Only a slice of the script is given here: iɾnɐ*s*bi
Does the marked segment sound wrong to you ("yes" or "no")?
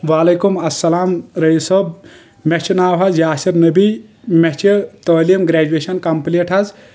yes